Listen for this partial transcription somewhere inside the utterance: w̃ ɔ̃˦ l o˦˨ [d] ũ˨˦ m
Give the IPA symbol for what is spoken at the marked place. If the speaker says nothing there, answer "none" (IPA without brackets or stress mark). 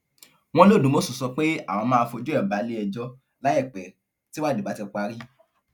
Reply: d